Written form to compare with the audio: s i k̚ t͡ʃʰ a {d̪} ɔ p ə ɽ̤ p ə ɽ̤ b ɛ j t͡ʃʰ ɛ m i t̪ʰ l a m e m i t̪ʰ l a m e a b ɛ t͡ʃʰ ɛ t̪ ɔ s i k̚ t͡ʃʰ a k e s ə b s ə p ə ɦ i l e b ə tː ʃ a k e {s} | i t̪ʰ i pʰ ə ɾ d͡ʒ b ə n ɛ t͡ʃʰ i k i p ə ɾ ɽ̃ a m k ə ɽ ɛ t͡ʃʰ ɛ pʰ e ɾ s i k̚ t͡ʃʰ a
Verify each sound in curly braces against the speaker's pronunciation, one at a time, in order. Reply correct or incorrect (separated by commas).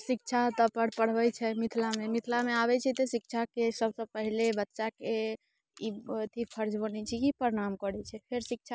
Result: incorrect, incorrect